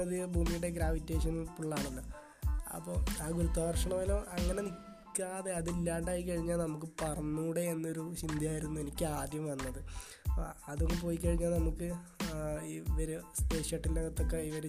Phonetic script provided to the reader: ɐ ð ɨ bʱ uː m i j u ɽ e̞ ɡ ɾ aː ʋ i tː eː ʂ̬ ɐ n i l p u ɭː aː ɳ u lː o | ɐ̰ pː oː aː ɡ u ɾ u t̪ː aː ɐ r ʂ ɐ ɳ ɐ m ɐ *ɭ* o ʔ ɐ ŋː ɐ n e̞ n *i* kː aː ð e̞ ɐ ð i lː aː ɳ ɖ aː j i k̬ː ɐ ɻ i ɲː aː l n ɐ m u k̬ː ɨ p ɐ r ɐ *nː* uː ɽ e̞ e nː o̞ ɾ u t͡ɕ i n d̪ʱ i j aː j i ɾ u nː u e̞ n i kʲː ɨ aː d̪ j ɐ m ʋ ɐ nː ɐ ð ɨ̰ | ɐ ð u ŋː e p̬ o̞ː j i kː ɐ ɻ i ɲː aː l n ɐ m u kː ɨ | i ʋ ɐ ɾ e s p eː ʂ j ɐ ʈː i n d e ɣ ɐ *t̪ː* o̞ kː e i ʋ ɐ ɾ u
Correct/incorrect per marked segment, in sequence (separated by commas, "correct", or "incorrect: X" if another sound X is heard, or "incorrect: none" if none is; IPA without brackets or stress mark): incorrect: l, correct, correct, correct